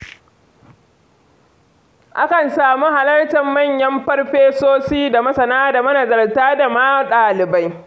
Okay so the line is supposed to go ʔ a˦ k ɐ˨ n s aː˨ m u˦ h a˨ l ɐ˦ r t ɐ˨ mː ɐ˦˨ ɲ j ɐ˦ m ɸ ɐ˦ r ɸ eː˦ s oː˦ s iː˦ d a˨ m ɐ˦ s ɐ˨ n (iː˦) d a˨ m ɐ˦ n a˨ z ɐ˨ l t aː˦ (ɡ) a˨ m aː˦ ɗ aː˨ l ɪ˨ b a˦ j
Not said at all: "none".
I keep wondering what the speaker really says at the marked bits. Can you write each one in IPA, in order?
aː˦, d

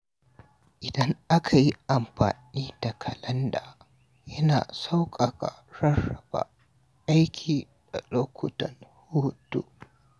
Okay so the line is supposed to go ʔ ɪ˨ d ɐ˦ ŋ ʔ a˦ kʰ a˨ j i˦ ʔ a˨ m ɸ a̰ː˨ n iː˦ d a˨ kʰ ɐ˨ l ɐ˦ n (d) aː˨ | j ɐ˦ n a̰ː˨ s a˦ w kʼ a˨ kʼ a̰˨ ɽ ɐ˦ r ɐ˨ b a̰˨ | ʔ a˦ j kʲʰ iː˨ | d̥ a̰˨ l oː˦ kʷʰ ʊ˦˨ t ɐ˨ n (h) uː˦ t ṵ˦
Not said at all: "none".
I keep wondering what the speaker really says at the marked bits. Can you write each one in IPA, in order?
d, h

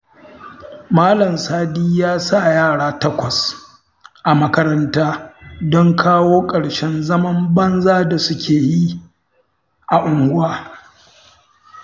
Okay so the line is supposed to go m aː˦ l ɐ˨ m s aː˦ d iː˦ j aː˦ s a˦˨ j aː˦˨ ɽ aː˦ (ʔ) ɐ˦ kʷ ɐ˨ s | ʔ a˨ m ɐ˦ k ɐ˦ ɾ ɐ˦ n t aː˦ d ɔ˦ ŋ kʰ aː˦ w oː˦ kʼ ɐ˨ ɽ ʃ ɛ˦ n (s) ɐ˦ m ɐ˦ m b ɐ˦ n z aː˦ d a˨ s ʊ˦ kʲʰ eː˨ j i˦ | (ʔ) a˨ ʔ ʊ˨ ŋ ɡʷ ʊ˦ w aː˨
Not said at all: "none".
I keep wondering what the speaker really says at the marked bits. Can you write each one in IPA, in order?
t, z, ʔ

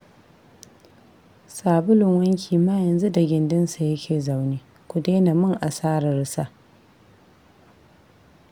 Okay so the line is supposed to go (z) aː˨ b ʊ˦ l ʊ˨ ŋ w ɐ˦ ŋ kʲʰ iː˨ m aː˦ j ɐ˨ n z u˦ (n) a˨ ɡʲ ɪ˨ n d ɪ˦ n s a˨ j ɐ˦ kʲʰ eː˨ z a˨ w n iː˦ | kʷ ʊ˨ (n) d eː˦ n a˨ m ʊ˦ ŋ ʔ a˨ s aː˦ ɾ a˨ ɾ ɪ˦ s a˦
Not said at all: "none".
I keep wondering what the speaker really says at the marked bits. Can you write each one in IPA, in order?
s, d, none

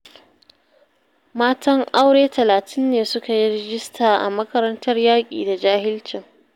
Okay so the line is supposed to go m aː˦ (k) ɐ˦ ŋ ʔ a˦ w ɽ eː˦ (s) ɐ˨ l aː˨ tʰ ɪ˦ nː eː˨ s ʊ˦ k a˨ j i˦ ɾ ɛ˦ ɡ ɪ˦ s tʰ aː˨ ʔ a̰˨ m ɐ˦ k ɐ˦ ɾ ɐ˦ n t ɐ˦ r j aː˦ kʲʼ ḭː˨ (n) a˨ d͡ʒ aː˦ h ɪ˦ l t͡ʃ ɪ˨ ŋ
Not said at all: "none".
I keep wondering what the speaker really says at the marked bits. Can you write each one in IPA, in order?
t, t, d

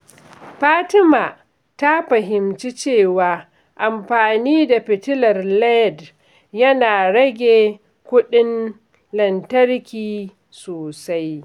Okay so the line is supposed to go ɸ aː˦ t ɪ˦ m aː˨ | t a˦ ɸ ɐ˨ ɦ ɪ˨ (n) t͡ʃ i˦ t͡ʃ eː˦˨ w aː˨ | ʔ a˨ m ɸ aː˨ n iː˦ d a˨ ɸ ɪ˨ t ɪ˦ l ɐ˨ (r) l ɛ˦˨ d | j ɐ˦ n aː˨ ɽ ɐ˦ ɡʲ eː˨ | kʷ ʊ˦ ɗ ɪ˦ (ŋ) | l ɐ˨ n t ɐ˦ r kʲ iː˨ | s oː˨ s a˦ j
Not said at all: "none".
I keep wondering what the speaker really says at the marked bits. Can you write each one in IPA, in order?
m, r, n

